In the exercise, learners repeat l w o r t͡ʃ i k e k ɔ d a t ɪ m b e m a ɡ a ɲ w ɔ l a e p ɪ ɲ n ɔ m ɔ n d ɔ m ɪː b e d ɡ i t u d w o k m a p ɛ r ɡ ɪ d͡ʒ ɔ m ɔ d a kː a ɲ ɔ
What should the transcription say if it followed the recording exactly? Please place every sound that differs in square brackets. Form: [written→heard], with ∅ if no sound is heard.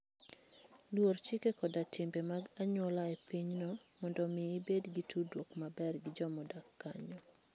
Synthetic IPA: l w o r t͡ʃ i k e k ɔ d a t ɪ m b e m a ɡ a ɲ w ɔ l a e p [ɪ→i] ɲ n ɔ m ɔ n d ɔ m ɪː b e d ɡ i t u d w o k m a [p→b] ɛ r ɡ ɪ d͡ʒ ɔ m ɔ d a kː a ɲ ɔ